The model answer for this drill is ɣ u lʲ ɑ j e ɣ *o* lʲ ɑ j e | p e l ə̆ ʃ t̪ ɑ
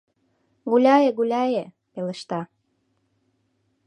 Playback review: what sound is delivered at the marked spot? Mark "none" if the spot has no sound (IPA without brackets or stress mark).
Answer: u